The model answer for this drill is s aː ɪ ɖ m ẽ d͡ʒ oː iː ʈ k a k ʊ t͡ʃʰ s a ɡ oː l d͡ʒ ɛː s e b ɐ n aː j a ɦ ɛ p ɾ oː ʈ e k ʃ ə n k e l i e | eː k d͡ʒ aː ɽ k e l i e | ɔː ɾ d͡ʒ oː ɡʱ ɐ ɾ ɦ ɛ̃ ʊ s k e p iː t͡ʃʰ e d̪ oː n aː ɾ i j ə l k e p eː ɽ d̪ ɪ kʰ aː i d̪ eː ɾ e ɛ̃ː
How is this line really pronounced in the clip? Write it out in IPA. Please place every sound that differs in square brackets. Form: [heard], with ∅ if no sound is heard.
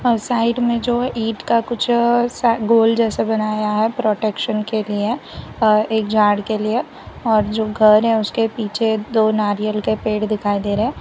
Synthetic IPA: s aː ɪ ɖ m ẽ d͡ʒ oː iː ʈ k a k ʊ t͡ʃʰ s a ɡ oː l d͡ʒ ɛː s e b ɐ n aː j a ɦ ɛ p ɾ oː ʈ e k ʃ ə n k e l i e | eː k d͡ʒ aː ɽ k e l i e | ɔː ɾ d͡ʒ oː ɡʱ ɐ ɾ ɦ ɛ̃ ʊ s k e p iː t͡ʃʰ e d̪ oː n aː ɾ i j ə l k e p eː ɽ d̪ ɪ kʰ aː i d̪ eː ɾ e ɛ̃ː